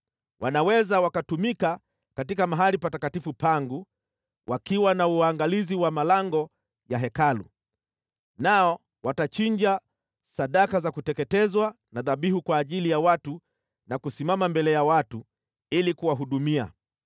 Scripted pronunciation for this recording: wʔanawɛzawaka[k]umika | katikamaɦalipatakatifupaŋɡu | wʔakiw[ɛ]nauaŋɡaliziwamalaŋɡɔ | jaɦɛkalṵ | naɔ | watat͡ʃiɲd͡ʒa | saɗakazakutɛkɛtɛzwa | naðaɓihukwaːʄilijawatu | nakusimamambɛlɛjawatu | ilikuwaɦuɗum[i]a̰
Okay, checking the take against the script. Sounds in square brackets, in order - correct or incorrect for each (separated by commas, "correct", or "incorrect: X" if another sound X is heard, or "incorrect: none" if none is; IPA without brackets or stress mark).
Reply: incorrect: t, incorrect: a, correct